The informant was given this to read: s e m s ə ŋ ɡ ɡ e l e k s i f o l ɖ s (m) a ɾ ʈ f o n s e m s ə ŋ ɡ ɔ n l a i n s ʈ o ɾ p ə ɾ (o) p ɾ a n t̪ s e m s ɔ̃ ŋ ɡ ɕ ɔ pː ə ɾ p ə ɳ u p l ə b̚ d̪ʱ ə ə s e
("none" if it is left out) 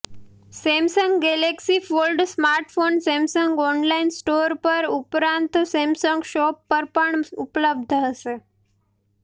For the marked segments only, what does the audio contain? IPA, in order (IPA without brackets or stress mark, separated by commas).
m, u